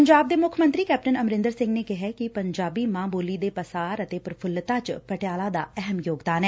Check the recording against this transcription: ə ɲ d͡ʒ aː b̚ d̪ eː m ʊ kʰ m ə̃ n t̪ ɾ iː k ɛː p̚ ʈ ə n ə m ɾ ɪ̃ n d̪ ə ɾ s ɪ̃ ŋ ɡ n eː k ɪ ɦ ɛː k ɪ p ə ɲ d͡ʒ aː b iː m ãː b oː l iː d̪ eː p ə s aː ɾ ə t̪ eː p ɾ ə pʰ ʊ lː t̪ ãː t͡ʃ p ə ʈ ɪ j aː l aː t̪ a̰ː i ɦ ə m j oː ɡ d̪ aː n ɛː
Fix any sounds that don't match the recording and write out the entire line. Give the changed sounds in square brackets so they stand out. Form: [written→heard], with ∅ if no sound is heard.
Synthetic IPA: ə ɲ d͡ʒ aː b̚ d̪ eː m ʊ kʰ m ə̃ n t̪ ɾ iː k ɛː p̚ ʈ ə n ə m ɾ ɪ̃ n d̪ ə ɾ s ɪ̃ ŋ ɡ n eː k ɪ ɦ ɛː k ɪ p ə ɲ d͡ʒ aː b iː m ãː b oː l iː d̪ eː p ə s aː ɾ ə t̪ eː p ɾ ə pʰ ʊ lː t̪ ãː t͡ʃ p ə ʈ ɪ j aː l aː [t̪→d̪] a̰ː [i→ɛ] ɦ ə m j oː ɡ d̪ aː n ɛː